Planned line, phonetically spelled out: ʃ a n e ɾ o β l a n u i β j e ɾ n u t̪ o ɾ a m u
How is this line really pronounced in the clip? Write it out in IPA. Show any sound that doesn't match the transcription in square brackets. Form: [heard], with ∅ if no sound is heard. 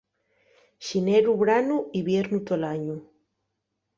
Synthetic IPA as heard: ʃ [i] n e ɾ [u] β [ɾ] a n u i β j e ɾ n u t̪ o [l] a [ɲ] u